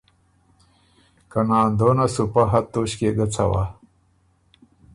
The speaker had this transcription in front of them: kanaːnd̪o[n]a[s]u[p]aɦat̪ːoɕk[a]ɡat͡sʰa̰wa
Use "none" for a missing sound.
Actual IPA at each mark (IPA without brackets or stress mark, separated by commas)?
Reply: n, s, p, e